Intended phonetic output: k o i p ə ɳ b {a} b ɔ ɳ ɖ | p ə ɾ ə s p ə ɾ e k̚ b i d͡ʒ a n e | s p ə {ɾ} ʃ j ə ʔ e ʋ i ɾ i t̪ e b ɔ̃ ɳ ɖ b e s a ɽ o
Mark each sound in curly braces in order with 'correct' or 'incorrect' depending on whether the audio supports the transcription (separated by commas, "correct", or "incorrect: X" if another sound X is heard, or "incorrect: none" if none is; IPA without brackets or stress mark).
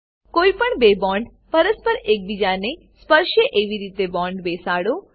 incorrect: e, correct